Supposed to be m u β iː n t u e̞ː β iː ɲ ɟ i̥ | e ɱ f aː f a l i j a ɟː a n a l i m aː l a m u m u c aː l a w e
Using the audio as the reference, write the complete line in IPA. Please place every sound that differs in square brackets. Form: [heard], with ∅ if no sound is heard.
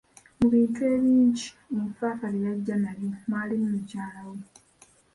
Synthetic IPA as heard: m u β iː n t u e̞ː β iː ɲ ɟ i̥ | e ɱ f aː f a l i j a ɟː a n a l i m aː l [i] m u m u c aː l a w e